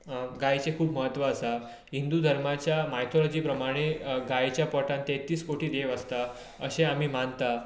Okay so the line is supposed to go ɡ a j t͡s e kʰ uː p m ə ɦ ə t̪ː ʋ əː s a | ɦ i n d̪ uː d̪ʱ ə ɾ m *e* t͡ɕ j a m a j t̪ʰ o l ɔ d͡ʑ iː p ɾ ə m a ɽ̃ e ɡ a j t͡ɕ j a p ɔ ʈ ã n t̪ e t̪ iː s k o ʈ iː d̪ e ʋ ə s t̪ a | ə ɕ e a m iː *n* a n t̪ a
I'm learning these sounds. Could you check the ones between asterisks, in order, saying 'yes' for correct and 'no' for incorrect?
no, no

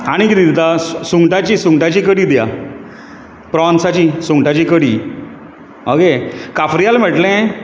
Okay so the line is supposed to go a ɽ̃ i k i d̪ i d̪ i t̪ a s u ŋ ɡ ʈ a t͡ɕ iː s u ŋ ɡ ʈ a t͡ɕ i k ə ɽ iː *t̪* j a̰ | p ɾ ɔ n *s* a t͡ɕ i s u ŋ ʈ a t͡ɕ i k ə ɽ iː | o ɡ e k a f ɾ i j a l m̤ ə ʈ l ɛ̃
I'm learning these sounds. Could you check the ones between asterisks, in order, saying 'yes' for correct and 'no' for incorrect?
no, yes

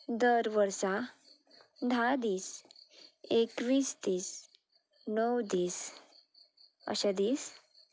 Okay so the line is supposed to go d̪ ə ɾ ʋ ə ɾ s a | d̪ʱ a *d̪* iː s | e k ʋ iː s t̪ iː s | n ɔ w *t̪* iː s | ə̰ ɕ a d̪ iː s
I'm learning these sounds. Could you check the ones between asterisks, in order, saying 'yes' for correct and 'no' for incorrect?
yes, no

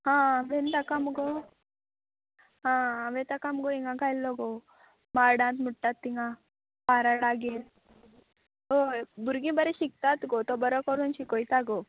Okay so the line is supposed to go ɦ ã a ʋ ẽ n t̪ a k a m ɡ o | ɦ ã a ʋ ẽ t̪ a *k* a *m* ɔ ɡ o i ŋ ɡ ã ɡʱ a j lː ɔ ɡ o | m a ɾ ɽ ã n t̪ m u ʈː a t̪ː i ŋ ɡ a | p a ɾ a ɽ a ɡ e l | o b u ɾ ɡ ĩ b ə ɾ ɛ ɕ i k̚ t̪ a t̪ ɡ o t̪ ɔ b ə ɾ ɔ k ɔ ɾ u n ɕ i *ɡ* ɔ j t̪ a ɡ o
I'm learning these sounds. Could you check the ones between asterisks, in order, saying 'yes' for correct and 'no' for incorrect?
yes, yes, no

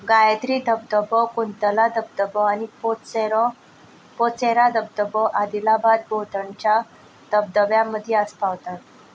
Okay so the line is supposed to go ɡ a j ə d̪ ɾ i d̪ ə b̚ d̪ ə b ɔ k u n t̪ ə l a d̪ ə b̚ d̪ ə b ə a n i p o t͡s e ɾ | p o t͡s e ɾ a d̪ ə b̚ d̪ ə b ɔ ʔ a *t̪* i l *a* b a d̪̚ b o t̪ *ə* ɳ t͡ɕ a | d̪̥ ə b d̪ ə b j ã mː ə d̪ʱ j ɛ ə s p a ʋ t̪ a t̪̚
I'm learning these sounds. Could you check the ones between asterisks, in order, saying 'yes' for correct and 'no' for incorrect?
no, yes, yes

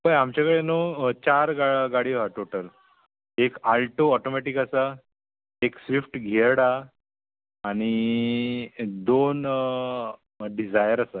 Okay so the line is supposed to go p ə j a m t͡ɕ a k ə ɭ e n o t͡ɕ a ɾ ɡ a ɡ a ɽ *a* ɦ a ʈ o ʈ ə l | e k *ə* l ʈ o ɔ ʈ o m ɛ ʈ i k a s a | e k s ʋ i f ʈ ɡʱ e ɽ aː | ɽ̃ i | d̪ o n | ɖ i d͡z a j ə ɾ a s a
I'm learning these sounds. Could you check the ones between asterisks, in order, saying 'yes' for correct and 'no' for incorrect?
no, no

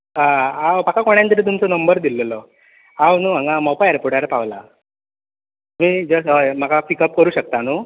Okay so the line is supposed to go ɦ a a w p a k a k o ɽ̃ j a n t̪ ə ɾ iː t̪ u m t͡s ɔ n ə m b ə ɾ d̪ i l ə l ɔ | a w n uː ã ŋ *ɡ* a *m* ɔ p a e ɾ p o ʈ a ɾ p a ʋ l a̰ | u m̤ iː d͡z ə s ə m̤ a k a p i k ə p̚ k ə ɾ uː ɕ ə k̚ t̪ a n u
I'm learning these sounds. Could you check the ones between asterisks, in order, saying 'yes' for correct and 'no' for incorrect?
yes, yes

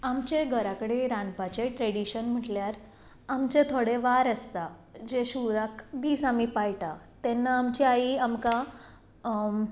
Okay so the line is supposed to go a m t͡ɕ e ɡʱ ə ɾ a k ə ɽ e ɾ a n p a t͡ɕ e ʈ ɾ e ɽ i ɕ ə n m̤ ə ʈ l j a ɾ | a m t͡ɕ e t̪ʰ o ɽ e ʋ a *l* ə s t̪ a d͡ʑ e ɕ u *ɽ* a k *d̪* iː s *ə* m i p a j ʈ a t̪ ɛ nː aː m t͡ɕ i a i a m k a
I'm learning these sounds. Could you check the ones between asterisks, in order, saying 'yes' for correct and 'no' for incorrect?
no, no, yes, no

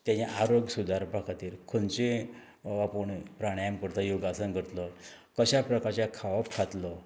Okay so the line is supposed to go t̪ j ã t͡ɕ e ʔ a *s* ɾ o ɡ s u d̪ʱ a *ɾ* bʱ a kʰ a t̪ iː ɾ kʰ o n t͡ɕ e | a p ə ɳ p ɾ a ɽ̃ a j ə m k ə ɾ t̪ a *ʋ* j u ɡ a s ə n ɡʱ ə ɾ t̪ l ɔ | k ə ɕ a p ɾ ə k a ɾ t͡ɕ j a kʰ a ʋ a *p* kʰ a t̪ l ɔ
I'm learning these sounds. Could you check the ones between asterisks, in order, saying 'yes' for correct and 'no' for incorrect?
no, yes, no, yes

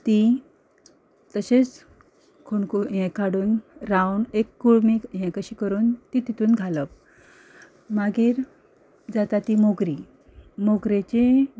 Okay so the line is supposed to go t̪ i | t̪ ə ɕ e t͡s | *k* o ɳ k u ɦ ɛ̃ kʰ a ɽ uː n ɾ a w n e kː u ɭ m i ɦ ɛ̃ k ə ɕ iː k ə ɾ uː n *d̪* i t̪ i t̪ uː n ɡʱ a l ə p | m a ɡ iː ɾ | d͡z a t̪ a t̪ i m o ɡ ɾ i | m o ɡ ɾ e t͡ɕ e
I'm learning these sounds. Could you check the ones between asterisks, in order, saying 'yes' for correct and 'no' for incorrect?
no, no

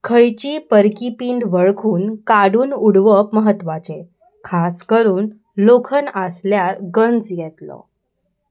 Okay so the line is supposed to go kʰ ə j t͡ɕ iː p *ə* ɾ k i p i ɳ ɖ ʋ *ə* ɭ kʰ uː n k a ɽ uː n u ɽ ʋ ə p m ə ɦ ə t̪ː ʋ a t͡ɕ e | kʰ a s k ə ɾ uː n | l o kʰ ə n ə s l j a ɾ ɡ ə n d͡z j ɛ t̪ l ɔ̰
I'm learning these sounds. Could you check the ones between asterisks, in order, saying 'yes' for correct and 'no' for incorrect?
yes, yes

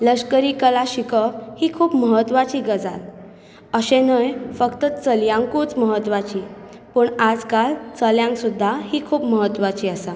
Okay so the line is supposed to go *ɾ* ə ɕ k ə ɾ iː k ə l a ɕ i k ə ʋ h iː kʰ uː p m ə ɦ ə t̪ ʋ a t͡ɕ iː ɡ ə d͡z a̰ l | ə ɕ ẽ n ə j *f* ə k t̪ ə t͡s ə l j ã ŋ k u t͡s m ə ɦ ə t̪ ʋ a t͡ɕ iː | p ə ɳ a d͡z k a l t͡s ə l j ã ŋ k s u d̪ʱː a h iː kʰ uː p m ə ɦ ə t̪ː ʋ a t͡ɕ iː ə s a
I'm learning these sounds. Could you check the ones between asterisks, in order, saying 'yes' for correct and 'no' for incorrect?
no, yes

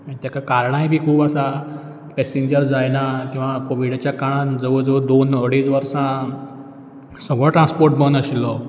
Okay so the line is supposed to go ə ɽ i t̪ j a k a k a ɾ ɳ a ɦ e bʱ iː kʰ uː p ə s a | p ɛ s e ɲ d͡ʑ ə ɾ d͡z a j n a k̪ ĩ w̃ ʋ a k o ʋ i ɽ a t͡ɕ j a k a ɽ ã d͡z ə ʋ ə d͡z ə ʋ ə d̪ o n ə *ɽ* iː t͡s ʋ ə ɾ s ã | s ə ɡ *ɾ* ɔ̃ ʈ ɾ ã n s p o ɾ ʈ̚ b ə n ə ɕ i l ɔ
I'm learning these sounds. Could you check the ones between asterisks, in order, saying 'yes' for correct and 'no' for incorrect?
yes, no

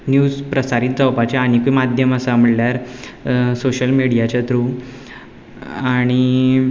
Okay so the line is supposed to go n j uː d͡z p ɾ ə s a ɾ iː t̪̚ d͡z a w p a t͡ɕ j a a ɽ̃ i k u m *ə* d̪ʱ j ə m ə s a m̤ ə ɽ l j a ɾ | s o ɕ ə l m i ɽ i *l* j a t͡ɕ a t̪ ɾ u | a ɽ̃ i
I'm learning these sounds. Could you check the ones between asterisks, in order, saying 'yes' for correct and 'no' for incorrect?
no, no

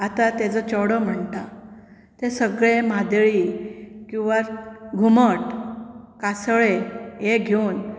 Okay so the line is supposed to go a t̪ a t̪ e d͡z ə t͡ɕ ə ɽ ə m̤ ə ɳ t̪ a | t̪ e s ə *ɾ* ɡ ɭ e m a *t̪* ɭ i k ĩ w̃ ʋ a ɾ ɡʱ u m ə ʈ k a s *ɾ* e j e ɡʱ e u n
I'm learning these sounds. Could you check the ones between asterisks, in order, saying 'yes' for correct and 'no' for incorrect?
no, no, no

